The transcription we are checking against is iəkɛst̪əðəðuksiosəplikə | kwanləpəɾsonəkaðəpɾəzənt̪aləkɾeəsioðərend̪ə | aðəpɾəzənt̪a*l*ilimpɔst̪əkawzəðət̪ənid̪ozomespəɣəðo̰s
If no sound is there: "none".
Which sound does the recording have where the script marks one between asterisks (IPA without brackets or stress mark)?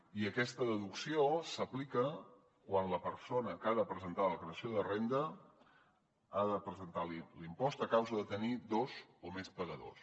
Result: l